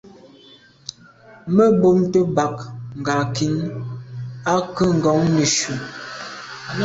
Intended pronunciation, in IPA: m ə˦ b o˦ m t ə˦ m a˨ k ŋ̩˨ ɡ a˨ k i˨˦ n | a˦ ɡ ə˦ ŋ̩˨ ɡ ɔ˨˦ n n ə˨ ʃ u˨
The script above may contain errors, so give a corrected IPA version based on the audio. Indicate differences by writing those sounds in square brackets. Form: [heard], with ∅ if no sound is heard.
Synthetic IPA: m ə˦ b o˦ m t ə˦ [b] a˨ k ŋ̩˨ ɡ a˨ k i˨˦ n | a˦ [k] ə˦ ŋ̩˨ ɡ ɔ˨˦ [ŋ] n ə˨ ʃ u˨